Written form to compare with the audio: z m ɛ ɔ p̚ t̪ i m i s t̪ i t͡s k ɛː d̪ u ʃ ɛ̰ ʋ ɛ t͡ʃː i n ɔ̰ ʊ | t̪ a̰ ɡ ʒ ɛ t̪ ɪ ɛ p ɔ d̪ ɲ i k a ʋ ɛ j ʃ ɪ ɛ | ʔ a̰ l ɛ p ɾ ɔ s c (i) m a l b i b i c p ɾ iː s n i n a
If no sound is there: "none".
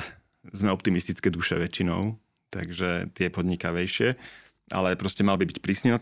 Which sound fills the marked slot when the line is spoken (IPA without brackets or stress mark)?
ɛ